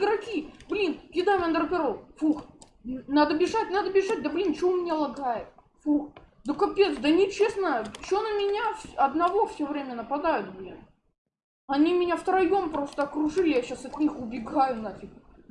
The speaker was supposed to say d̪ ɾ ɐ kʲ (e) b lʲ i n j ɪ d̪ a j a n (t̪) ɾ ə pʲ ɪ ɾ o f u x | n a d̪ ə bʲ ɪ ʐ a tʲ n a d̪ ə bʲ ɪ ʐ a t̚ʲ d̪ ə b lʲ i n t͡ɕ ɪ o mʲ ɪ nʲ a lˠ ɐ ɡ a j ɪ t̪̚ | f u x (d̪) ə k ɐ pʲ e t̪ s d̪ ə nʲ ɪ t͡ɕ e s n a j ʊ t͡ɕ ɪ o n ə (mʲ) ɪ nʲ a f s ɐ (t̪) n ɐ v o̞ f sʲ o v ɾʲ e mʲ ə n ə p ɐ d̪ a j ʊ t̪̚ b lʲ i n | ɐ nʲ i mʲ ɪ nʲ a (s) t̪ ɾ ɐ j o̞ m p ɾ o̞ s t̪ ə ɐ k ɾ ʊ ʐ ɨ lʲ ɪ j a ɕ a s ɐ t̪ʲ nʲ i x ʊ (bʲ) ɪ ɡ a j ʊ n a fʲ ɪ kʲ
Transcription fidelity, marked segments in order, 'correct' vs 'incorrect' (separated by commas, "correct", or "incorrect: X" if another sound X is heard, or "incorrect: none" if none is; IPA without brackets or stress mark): incorrect: i, incorrect: d̪, correct, correct, incorrect: d̪, incorrect: f, correct